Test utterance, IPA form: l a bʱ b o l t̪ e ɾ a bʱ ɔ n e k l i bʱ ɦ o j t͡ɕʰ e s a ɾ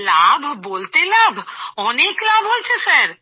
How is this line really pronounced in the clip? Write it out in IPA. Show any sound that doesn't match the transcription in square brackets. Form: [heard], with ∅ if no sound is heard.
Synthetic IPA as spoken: l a bʱ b o l t̪ e [l] a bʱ ɔ n e k l [a] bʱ ɦ o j t͡ɕʰ e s a ɾ